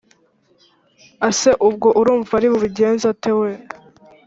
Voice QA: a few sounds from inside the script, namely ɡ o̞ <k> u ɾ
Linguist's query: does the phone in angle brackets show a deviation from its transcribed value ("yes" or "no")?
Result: yes